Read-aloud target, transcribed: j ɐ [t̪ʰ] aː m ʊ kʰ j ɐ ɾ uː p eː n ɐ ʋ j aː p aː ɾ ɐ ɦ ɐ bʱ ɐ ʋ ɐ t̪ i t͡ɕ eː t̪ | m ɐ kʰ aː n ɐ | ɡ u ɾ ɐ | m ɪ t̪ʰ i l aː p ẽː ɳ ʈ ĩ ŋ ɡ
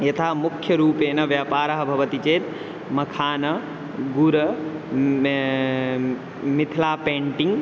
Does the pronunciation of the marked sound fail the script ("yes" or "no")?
no